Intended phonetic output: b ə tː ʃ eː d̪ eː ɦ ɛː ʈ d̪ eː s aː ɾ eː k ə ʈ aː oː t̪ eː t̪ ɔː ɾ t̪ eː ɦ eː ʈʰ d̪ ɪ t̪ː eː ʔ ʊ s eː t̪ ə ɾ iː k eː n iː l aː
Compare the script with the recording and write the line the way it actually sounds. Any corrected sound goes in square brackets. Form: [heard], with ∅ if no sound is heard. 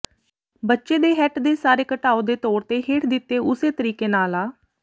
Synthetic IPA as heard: b ə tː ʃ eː d̪ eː ɦ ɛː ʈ d̪ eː s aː ɾ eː k ə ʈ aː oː [d̪] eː t̪ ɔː ɾ t̪ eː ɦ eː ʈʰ d̪ ɪ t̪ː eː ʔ ʊ s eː t̪ ə ɾ iː k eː n [aː] l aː